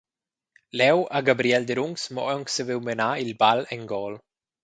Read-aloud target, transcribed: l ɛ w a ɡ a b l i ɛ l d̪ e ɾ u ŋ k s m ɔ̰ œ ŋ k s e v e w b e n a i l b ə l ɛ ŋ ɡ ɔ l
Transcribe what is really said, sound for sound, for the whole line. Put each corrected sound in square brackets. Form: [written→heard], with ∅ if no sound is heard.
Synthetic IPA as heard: l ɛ w a ɡ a b [l→ɾ] i ɛ l d̪ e ɾ u ŋ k s m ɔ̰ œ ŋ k s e v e w [b→m] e n a i l b [ə→a] l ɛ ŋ ɡ ɔ l